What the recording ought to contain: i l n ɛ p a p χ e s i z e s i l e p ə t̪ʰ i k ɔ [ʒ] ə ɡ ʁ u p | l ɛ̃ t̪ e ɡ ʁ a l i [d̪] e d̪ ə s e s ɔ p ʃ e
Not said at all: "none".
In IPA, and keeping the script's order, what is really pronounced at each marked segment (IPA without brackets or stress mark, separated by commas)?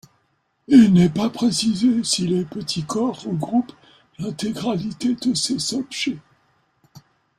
ʁ, t̪